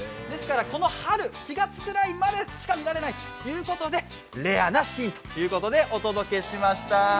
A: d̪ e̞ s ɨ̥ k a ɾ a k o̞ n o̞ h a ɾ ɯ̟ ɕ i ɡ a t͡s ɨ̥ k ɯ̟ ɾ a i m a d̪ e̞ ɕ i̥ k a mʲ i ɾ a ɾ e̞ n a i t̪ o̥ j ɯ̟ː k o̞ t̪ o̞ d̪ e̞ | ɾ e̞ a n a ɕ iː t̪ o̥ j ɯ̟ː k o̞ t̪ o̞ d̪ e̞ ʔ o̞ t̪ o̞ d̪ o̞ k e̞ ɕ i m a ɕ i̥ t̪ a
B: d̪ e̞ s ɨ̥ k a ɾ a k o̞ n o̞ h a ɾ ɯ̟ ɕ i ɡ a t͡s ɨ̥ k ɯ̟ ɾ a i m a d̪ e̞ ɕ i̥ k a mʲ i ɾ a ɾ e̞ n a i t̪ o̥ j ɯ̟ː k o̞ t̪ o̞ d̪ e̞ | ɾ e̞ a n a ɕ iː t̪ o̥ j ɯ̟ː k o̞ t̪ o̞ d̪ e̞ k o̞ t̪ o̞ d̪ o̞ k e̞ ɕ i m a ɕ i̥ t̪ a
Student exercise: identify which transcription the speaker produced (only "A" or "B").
A